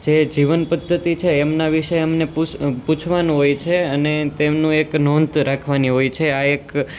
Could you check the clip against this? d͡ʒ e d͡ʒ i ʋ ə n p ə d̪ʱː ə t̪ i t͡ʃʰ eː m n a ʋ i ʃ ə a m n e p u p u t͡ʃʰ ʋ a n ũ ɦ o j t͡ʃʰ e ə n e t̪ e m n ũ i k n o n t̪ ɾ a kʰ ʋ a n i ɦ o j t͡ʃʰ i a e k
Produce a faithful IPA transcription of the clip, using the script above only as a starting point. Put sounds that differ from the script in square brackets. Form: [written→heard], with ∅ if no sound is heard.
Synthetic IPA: d͡ʒ e d͡ʒ i ʋ ə n p ə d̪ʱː ə t̪ i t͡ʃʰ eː m n a ʋ i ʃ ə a m n e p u p u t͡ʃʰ ʋ a n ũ ɦ o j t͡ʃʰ e ə n e t̪ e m n ũ [i→e] k n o n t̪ ɾ a kʰ ʋ a n i ɦ o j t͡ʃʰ [i→e] a e k